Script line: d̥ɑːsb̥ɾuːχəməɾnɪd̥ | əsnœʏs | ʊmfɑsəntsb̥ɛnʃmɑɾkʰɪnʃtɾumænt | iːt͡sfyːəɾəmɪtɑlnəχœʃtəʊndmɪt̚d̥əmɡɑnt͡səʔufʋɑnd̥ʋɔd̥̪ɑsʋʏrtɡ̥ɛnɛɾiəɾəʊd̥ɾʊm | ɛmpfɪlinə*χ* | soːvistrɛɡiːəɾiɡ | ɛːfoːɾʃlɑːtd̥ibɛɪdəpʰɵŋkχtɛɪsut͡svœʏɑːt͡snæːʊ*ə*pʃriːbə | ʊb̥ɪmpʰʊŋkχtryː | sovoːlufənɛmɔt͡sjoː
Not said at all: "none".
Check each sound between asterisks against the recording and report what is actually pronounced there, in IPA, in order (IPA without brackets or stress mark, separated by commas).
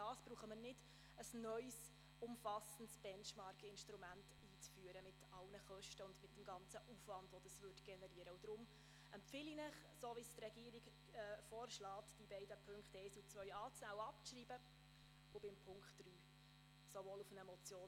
χ, ɑ